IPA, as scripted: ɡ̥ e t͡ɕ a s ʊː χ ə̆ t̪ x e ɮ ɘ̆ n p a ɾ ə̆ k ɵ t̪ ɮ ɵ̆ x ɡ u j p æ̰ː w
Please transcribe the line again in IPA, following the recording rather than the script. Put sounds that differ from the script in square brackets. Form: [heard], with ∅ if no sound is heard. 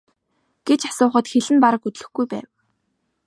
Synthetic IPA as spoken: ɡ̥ e t͡ɕ a s ʊː χ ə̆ t̪ x e ɮ ɘ̆ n p a ɾ ə̆ k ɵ t̪ ɮ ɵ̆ x ɡ u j p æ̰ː w